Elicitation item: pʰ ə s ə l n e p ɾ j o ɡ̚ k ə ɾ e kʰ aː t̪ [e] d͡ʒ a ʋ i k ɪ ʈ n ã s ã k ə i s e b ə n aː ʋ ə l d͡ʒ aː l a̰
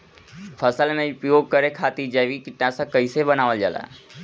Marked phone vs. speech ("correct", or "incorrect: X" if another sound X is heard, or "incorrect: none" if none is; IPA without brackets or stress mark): incorrect: i